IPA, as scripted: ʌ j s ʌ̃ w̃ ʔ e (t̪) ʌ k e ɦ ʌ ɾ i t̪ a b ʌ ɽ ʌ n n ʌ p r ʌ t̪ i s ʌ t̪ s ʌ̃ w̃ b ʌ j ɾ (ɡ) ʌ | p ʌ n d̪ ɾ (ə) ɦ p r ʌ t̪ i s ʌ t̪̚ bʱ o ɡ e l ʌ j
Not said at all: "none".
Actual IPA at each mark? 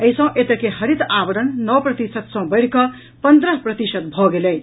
t̪, k, ʌ

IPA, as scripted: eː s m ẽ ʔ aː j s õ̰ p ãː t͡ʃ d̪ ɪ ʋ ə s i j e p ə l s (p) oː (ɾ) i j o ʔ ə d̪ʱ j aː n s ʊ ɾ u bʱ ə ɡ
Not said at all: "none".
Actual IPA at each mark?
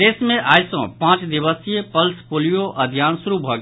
p, l

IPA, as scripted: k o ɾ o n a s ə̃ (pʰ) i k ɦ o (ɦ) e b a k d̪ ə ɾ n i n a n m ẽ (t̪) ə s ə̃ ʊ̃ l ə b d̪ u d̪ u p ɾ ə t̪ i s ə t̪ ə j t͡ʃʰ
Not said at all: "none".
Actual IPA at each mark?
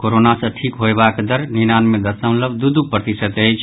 ʈʰ, none, d̪

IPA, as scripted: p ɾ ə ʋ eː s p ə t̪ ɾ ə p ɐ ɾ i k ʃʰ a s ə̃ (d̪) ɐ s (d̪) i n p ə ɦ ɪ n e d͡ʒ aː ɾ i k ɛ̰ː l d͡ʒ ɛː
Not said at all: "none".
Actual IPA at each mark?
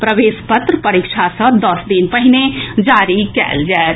d̪, d̪

